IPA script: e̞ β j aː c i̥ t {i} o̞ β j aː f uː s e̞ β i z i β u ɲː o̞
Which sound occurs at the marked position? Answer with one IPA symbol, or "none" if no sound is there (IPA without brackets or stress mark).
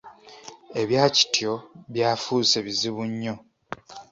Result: j